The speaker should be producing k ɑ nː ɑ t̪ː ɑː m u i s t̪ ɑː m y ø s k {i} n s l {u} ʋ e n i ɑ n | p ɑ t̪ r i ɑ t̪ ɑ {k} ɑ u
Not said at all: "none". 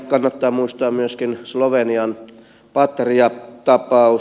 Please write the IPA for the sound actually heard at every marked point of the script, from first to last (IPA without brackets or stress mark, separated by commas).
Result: i, o, p